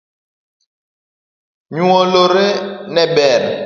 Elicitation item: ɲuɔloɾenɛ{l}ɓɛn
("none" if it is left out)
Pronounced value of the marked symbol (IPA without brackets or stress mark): none